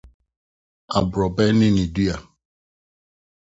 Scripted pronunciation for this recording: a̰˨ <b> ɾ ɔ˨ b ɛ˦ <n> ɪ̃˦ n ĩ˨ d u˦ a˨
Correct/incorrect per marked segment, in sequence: correct, correct

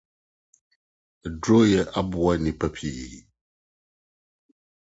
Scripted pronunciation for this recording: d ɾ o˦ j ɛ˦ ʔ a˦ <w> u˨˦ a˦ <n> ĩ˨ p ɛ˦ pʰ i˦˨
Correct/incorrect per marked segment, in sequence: incorrect: b, correct

